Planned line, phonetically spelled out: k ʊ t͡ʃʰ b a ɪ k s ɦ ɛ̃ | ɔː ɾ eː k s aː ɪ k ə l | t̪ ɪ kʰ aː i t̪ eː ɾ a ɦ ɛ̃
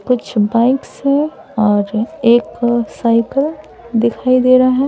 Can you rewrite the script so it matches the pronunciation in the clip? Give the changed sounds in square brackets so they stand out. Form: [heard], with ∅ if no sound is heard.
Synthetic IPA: k ʊ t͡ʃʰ b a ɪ k s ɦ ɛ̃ | ɔː ɾ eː k s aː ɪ k ə l | [d̪] ɪ kʰ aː i [d̪] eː ɾ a ɦ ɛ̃